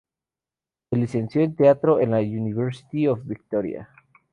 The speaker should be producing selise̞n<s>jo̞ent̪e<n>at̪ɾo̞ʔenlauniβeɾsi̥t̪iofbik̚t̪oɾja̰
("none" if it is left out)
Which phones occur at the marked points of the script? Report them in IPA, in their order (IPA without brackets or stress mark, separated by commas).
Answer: s, none